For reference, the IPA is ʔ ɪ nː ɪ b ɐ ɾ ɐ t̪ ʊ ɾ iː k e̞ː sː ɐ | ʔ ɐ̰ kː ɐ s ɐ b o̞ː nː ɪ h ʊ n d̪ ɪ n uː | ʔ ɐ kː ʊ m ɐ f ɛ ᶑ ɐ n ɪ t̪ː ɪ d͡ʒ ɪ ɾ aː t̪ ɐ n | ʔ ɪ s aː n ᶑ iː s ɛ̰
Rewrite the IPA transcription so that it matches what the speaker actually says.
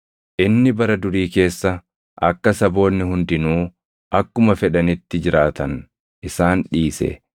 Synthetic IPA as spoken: ʔ ɪ nː ɪ b ɐ ɾ ɐ d̪ ʊ ɾ iː k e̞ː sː ɐ | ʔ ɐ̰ kː ɐ s ɐ b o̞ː nː ɪ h ʊ n d̪ ɪ n uː | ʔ ɐ kː ʊ m ɐ f ɛ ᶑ ɐ n ɪ t̪ː ɪ d͡ʒ ɪ ɾ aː t̪ ɐ n | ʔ ɪ s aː n ᶑ iː s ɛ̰